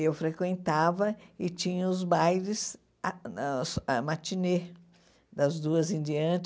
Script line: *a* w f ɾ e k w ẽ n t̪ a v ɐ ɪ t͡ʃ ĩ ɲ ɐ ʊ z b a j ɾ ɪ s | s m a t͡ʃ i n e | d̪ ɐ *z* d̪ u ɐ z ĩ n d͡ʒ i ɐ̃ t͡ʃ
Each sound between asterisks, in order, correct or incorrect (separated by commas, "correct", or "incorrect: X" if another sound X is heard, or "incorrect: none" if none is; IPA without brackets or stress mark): incorrect: e, correct